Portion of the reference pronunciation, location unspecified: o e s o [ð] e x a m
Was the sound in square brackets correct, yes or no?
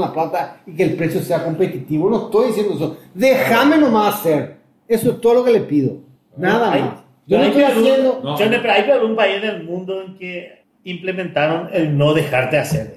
yes